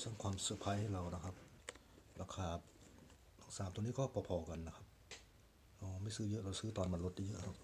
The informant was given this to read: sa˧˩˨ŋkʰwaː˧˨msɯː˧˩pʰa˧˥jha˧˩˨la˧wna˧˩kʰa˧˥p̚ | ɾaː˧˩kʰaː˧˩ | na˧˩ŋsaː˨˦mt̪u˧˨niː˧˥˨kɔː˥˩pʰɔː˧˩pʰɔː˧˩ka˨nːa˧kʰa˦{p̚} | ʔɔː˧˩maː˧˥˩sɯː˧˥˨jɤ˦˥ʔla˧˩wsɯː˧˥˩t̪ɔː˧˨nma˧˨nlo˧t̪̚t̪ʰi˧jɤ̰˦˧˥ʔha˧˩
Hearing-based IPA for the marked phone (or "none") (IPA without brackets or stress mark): p̚